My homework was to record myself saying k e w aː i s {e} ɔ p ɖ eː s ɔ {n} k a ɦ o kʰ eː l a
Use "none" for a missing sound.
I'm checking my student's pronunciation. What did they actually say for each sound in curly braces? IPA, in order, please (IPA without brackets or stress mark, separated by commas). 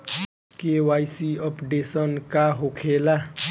i, n